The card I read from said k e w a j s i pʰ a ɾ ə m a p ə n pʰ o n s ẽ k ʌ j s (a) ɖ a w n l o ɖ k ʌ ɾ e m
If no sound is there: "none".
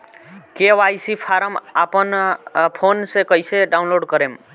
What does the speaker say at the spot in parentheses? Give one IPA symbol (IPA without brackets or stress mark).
e